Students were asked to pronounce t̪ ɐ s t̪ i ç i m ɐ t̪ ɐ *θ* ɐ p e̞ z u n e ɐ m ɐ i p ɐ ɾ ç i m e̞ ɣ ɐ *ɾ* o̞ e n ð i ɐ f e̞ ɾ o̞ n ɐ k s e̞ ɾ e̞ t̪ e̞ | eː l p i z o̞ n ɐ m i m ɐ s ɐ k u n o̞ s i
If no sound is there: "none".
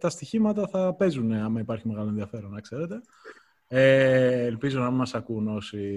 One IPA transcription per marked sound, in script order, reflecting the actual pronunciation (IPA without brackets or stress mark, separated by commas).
θ, l